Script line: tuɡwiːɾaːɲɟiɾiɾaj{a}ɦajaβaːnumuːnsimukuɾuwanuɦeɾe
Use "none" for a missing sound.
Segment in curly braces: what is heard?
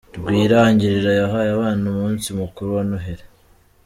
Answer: a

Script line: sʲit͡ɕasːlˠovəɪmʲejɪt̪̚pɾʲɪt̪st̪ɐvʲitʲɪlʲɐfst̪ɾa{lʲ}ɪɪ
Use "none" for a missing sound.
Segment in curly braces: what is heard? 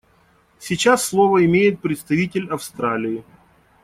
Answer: lʲ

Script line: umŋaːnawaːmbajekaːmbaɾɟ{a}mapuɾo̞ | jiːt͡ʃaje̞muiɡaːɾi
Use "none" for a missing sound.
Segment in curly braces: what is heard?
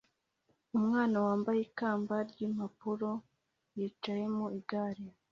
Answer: i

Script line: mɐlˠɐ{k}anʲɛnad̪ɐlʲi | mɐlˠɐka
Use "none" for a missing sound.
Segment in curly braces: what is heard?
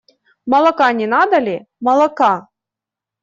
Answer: k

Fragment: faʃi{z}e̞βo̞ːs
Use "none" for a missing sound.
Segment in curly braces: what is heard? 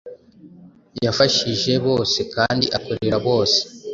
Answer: ʒ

